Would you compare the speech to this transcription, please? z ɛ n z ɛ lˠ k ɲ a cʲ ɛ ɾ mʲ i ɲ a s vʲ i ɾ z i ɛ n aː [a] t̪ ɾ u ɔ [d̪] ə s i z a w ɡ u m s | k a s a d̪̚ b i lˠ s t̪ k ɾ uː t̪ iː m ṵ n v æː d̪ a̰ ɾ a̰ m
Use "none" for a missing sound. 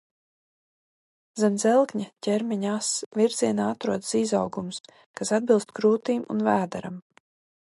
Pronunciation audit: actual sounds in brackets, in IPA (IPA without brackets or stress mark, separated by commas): a, d̪